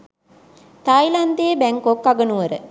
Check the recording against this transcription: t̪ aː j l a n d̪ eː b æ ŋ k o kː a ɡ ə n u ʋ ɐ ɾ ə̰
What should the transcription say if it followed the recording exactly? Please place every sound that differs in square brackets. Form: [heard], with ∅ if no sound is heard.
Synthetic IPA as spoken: t̪ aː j l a n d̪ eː b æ ŋ k o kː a ɡ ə n u ʋ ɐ ɾ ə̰